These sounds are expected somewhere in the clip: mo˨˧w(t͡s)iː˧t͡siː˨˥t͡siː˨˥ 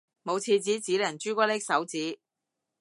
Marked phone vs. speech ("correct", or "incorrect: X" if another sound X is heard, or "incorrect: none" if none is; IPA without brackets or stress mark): incorrect: t͡sʰ